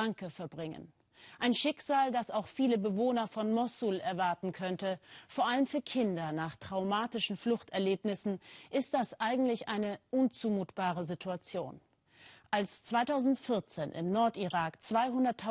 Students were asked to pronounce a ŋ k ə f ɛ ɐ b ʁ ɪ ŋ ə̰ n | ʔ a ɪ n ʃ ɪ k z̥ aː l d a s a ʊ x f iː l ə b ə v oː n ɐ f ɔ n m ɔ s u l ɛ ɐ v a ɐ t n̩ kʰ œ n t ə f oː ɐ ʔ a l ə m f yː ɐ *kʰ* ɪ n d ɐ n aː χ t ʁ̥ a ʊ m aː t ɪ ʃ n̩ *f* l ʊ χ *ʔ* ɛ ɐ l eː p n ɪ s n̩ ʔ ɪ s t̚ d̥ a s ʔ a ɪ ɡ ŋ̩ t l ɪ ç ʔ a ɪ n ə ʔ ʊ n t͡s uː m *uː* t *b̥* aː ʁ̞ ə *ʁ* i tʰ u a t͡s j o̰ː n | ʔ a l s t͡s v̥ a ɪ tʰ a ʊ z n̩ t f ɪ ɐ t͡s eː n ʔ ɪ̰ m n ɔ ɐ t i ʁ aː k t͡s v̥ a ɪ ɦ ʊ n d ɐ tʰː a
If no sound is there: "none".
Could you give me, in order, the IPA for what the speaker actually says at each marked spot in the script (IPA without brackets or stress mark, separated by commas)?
kʰ, f, t, uː, b̥, z